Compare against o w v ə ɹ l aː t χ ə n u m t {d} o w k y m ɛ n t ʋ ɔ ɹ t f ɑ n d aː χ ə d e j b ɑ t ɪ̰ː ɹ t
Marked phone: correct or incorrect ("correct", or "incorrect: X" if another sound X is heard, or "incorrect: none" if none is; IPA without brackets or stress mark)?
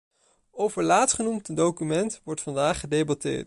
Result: correct